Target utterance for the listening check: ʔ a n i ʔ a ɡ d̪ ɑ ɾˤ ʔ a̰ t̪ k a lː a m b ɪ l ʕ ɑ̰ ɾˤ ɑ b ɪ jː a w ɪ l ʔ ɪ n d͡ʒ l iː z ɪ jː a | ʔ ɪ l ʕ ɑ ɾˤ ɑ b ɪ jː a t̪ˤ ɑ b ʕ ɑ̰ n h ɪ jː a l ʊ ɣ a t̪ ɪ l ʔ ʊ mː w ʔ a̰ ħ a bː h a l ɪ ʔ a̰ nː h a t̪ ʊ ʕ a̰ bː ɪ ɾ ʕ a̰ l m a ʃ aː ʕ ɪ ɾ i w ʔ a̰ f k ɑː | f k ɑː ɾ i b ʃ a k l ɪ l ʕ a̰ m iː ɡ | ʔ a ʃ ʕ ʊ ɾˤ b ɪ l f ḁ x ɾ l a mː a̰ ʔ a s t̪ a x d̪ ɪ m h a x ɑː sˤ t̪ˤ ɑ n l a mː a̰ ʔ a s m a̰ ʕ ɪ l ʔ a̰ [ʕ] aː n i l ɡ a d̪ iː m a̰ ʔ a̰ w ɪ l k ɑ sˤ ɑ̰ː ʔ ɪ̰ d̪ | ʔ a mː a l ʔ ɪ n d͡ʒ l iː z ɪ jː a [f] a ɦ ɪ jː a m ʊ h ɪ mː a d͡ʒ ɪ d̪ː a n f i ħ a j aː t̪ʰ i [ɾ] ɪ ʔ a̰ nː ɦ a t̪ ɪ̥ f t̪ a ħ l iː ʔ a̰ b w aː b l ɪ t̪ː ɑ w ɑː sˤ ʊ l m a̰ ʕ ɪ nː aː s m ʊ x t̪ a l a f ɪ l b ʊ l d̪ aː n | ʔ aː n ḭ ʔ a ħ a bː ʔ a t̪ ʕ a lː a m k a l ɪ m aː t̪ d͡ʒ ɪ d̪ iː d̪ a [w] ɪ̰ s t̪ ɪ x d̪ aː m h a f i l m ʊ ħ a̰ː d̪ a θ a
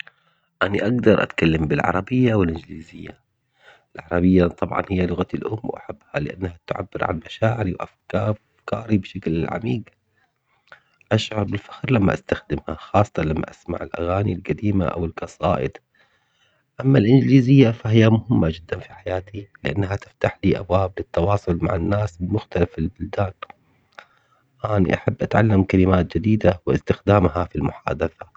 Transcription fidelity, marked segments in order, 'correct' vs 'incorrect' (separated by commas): incorrect, correct, incorrect, correct